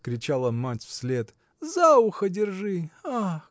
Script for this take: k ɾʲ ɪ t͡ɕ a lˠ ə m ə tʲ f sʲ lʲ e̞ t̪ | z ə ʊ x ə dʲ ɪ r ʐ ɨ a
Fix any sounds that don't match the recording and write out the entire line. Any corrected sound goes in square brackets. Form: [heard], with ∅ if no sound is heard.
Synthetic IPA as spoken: k ɾʲ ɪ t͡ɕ a lˠ ə m [a] tʲ f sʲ lʲ e̞ t̪ | z [a] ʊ x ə dʲ ɪ r ʐ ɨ a